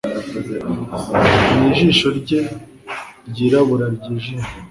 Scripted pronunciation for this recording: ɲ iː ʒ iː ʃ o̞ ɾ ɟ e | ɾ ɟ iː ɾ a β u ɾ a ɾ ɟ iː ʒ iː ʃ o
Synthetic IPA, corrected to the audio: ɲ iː ʒ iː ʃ o̞ ɾ ɟ e | ɾ ɟ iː ɾ a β u ɾ a ɾ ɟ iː ʒ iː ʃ o